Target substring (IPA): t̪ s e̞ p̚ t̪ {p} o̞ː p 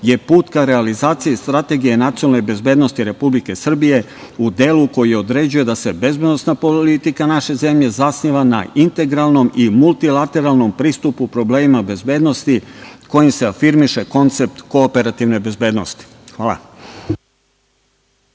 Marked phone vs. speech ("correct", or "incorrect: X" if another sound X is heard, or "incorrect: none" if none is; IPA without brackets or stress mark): incorrect: k